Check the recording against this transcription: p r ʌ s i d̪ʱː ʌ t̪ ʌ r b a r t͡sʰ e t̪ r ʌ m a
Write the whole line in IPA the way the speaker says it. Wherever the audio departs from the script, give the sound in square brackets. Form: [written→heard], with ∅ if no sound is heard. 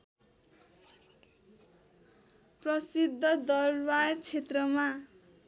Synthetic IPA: p r ʌ s i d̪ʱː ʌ [t̪→d̪] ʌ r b a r t͡sʰ e t̪ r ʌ m a